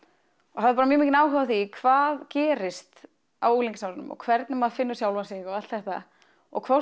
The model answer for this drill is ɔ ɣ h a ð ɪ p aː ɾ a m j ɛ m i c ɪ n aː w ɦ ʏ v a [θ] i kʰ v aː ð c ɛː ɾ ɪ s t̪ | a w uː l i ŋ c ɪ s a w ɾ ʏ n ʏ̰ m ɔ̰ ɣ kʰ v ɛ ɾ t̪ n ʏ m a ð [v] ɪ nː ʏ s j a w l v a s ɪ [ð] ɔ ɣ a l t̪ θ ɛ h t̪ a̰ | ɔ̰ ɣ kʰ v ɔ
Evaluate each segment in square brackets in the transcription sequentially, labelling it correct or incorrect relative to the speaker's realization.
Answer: correct, incorrect: f, incorrect: ɣ

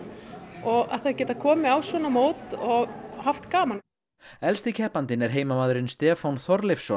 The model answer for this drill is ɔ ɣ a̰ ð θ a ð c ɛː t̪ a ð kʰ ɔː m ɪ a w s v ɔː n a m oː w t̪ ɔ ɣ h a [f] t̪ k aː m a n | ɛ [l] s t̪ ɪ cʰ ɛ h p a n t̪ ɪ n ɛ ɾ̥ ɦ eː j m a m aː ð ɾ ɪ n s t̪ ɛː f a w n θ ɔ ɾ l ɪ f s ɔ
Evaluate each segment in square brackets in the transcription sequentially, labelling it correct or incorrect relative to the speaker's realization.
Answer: correct, correct

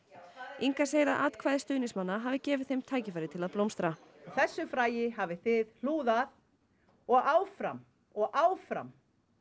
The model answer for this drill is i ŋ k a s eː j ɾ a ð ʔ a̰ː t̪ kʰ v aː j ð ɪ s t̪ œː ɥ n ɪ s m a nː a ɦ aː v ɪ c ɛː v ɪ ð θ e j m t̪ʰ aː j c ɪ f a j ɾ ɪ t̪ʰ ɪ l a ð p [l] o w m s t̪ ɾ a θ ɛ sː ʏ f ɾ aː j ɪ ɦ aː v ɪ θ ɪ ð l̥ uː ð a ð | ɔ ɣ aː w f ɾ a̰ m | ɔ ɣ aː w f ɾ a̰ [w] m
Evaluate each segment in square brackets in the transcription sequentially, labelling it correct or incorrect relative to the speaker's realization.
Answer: correct, incorrect: none

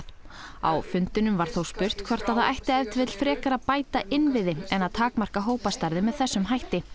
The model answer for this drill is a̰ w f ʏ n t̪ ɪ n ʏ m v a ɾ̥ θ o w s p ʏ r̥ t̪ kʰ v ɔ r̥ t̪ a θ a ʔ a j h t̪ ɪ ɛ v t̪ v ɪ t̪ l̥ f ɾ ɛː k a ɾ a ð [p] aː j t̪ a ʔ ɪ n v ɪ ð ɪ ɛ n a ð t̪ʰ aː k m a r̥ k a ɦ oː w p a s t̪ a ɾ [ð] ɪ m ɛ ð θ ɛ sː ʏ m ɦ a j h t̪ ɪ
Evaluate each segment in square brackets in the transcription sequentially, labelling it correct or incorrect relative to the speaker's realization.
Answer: correct, correct

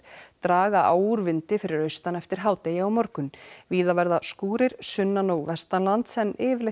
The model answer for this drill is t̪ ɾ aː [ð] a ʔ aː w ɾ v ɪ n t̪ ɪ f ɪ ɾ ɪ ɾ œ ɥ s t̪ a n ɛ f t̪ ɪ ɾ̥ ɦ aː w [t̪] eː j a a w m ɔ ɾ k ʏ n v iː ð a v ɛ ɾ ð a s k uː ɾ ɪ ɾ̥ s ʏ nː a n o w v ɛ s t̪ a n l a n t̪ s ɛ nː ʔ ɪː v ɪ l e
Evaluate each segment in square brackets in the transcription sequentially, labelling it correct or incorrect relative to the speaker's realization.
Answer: incorrect: ɣ, correct

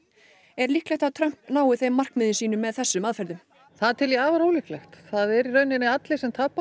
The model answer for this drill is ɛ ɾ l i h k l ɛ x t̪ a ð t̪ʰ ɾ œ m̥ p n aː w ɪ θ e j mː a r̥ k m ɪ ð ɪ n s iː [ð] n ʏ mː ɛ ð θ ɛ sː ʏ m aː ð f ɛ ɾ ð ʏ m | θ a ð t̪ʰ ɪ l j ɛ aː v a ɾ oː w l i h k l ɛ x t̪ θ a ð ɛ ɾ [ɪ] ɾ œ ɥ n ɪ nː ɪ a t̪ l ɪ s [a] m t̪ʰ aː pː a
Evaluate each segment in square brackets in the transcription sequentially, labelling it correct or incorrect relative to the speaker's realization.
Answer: incorrect: none, incorrect: i, incorrect: ɛ

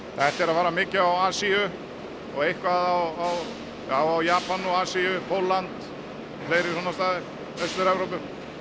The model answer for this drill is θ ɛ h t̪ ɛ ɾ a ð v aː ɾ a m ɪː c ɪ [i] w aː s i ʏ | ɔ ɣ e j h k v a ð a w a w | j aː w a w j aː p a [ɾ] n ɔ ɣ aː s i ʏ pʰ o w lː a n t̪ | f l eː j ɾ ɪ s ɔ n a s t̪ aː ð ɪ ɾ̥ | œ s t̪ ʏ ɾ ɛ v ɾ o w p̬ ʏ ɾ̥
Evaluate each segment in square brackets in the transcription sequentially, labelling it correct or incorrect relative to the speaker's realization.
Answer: incorrect: a, incorrect: none

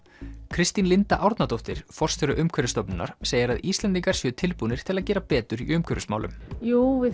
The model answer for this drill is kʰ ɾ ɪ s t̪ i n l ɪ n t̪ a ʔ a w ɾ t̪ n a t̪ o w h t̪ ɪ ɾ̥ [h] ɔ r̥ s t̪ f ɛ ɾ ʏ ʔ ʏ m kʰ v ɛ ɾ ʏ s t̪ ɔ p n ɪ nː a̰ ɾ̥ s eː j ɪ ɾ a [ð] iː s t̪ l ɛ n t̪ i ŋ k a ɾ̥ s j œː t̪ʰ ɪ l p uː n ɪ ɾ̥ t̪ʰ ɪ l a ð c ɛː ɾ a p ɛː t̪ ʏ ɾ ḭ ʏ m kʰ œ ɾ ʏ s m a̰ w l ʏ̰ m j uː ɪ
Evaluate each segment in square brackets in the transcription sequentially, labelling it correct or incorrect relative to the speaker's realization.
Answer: incorrect: f, correct

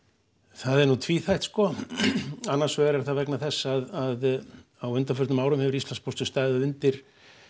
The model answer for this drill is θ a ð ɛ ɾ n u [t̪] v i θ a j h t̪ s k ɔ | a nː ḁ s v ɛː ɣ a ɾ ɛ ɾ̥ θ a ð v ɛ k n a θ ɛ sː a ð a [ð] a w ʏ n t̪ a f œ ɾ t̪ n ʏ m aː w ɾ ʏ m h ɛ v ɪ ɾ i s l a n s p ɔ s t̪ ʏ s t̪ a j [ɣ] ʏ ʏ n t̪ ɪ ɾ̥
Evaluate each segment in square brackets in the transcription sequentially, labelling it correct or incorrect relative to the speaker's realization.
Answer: incorrect: t̪ʰ, correct, incorrect: ð

